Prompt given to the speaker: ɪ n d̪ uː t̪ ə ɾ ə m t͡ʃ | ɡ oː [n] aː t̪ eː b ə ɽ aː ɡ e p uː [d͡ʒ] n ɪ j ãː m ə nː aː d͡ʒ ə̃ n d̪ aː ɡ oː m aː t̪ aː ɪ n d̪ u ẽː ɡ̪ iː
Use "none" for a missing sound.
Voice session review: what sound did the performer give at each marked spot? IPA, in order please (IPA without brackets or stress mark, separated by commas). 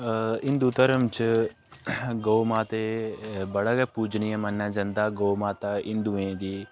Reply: m, d͡ʒ